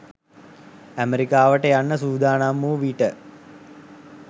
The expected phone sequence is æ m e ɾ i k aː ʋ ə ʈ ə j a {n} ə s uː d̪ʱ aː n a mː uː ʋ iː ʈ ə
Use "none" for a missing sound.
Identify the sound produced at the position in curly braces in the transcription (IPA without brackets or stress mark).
nː